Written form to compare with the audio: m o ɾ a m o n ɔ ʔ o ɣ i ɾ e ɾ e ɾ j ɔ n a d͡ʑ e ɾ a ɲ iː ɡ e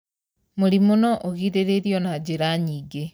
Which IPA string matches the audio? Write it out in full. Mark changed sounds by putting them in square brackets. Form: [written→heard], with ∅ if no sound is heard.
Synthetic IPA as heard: m o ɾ [a→i] m o n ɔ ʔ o ɣ i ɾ e ɾ e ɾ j ɔ n a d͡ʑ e ɾ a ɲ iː ɡ e